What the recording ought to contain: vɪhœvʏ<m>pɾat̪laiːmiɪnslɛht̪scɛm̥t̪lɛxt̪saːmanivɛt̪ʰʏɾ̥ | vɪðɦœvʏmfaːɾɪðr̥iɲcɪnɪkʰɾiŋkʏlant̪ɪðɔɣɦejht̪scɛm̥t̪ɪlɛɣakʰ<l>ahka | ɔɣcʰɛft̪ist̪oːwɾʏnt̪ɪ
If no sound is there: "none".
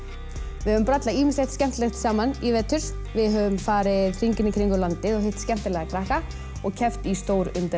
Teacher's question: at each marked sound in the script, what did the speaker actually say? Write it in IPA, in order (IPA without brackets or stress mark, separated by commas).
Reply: m, ɾ